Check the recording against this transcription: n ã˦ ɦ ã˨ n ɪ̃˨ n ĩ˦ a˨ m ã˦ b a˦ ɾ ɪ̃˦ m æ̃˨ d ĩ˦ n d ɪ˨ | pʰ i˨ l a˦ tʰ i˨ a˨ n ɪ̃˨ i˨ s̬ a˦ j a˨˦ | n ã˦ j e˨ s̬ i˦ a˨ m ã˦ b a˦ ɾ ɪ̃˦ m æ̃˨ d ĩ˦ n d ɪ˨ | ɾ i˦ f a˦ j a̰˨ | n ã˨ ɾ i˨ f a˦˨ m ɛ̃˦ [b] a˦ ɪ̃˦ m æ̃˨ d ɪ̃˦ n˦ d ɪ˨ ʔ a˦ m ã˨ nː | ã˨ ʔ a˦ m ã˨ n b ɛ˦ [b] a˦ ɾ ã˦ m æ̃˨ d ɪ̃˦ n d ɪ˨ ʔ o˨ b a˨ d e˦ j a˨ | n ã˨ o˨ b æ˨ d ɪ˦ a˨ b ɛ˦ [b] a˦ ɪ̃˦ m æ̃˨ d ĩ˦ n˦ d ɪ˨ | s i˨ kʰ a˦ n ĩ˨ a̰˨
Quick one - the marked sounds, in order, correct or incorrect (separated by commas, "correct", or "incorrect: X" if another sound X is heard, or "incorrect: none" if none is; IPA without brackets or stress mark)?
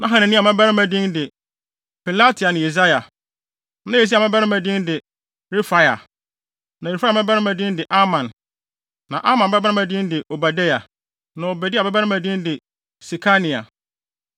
correct, correct, correct